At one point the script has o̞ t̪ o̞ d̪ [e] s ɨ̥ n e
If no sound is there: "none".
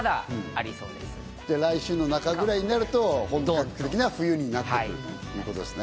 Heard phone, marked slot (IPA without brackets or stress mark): e